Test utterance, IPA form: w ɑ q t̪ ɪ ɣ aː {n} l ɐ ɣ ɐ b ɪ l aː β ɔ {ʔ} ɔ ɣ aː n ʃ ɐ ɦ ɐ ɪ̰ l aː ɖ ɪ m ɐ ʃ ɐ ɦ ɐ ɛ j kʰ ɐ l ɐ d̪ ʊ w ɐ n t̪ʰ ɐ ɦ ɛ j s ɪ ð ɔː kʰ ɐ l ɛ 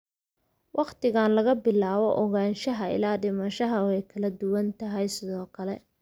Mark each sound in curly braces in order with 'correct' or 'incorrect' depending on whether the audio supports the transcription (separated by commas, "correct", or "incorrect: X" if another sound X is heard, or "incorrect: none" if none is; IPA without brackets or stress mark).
correct, correct